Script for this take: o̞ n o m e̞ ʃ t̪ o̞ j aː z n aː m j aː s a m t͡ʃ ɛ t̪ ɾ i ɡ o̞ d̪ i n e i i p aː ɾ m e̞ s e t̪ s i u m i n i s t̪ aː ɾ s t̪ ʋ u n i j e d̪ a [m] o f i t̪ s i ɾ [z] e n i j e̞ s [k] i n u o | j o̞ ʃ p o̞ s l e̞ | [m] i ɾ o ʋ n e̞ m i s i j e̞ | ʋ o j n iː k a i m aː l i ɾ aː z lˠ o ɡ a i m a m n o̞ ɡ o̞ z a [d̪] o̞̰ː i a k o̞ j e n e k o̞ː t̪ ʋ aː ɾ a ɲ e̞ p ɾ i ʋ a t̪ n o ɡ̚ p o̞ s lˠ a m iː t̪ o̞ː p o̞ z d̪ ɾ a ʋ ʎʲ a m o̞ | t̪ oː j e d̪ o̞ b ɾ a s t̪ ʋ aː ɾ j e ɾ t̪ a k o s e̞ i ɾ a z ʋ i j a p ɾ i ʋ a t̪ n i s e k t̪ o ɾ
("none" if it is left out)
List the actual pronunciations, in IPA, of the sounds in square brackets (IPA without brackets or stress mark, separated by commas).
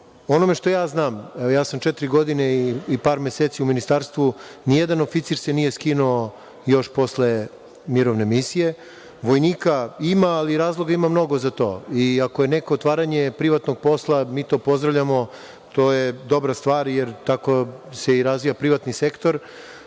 n, s, k, m, t̪